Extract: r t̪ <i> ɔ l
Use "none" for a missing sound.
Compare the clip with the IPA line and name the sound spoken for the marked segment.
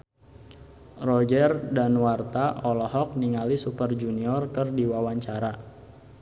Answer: a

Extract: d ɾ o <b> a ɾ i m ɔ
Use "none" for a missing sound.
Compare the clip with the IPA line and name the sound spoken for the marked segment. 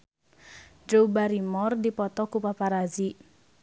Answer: b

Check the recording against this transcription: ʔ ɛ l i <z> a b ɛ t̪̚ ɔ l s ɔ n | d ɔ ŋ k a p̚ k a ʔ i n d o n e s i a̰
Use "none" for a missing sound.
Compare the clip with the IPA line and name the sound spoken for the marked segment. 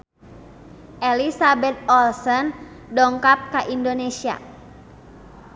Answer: s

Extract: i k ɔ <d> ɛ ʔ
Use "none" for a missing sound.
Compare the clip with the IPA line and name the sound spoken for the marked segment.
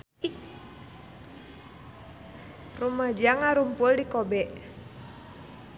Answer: b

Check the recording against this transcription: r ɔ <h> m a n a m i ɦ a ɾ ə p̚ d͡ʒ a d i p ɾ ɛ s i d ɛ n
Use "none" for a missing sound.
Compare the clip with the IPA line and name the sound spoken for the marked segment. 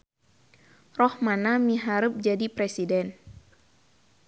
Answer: h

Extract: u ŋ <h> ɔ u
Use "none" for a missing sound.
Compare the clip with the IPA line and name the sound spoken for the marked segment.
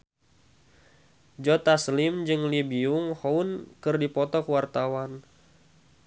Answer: h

